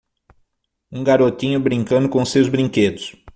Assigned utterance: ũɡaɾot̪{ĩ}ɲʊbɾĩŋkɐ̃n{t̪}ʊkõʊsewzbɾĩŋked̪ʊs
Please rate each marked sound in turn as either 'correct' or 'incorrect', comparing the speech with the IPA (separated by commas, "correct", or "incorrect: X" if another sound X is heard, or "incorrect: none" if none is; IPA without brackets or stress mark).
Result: correct, incorrect: d̪